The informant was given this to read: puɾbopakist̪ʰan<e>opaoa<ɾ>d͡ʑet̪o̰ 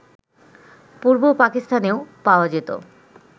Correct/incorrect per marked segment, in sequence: correct, incorrect: none

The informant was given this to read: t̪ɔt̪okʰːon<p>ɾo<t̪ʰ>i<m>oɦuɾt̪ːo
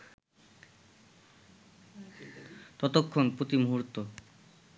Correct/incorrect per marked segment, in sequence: correct, incorrect: t̪, correct

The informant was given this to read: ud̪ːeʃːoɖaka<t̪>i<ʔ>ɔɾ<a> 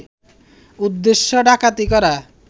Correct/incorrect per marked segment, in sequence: correct, incorrect: k, correct

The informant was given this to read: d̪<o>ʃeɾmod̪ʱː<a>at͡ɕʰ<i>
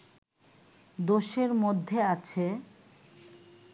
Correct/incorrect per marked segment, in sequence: correct, incorrect: e, incorrect: e

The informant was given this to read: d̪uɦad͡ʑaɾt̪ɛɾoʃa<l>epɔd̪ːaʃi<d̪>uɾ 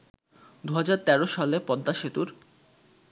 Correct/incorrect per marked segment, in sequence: correct, incorrect: t̪

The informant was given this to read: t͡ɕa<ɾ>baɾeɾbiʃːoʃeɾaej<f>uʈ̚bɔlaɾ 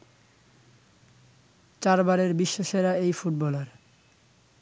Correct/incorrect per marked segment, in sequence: correct, correct

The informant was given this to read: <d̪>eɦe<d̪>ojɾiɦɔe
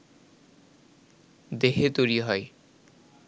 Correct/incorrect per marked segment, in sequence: correct, incorrect: t̪

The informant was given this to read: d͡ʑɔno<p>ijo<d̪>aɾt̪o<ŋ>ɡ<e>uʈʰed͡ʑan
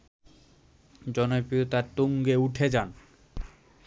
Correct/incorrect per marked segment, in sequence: correct, incorrect: t̪, correct, correct

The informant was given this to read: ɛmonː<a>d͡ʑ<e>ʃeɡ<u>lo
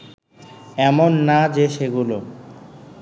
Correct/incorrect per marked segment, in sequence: correct, correct, correct

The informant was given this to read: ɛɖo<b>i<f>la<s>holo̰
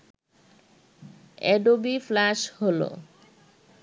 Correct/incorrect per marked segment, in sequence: correct, correct, incorrect: ʃ

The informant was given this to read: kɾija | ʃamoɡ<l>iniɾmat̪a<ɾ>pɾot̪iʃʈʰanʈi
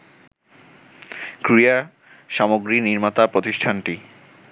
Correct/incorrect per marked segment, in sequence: incorrect: ɾ, incorrect: none

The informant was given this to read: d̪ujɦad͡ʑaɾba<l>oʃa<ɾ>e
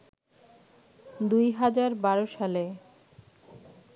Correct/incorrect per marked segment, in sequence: incorrect: ɾ, incorrect: l

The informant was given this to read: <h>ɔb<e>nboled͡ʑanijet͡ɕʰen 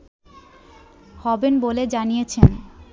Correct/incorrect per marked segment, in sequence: correct, correct

